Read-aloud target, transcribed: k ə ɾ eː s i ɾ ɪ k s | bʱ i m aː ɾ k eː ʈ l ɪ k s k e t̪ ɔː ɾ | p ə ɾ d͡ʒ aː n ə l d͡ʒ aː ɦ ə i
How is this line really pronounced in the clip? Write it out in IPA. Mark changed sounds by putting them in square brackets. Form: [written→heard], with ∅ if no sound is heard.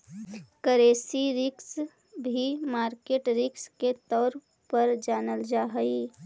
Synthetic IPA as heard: k ə ɾ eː s i ɾ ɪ k s | bʱ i m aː ɾ k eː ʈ [l→ɾ] ɪ k s k e t̪ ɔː ɾ | p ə ɾ d͡ʒ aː n ə l d͡ʒ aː ɦ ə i